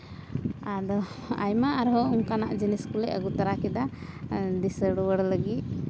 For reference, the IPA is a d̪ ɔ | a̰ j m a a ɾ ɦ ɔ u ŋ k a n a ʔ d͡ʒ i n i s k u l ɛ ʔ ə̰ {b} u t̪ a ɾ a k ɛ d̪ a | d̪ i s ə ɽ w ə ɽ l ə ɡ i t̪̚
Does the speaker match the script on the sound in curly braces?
no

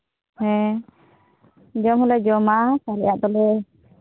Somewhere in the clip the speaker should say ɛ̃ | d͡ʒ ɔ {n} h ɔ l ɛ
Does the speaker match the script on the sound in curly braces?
no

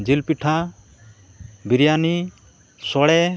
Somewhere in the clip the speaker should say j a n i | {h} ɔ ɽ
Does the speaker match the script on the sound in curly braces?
no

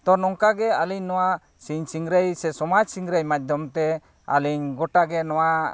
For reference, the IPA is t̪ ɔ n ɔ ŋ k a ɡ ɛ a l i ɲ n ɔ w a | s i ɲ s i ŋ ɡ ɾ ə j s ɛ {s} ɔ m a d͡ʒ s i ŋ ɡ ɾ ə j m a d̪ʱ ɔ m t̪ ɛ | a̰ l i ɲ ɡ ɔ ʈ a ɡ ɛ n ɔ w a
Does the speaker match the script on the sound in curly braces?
yes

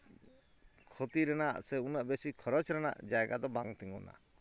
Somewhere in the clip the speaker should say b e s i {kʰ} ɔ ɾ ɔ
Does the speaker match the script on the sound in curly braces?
yes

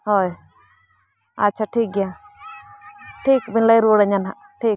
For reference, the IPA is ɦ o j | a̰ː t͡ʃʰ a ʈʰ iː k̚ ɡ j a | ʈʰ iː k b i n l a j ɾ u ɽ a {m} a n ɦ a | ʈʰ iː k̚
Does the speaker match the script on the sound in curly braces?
no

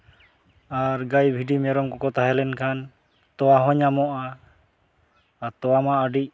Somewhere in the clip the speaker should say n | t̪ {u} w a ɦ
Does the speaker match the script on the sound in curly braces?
no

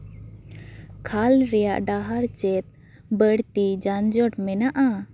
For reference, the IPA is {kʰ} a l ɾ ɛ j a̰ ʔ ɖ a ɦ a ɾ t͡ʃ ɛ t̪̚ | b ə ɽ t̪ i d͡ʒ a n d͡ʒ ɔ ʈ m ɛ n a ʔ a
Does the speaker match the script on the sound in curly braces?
yes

